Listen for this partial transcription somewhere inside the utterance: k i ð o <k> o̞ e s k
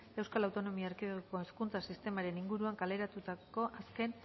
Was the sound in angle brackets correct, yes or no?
yes